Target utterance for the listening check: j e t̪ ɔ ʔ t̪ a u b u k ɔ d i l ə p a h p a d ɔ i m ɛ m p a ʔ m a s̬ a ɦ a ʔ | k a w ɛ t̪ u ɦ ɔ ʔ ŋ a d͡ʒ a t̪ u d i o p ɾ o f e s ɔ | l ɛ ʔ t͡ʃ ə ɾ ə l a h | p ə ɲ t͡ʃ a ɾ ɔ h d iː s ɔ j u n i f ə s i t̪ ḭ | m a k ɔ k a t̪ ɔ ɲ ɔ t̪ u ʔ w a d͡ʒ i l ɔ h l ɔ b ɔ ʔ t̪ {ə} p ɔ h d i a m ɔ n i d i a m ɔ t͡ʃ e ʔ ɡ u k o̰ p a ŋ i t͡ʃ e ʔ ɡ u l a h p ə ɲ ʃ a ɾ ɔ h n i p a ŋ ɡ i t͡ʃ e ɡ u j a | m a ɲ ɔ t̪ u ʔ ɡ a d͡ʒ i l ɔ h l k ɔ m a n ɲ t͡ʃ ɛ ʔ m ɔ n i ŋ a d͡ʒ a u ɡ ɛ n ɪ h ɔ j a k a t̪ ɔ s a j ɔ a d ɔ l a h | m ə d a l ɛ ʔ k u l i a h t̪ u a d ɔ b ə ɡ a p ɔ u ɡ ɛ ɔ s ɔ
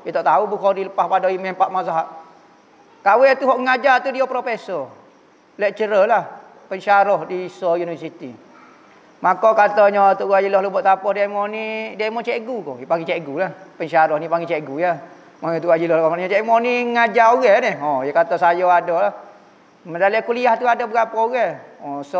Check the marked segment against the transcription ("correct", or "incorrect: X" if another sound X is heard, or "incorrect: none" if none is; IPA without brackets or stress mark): incorrect: a